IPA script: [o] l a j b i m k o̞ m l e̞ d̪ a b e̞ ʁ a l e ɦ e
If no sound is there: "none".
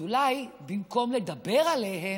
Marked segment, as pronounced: u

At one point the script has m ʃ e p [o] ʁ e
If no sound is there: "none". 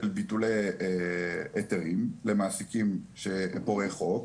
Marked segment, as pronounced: o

